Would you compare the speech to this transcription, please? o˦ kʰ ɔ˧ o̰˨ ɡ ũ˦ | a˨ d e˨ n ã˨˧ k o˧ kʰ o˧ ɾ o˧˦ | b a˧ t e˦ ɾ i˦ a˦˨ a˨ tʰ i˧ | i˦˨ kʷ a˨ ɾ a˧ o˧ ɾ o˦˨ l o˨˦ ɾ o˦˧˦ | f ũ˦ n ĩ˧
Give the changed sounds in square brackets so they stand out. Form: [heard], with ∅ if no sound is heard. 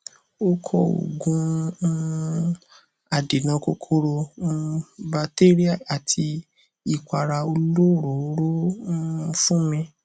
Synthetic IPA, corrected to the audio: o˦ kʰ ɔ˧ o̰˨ ɡ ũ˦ | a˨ d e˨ n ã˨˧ k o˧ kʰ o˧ ɾ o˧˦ | b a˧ t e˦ ɾ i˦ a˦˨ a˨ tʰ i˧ | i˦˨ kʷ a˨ ɾ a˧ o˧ [l] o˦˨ [ɾ] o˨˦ ɾ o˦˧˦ | f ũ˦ [m] ĩ˧